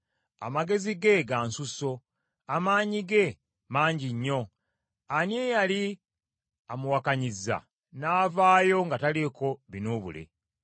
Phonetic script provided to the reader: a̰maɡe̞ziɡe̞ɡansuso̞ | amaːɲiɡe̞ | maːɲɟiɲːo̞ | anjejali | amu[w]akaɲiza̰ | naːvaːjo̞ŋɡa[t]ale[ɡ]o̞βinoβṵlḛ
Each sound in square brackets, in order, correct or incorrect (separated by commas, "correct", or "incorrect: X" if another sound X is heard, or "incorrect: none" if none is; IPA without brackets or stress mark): correct, correct, incorrect: k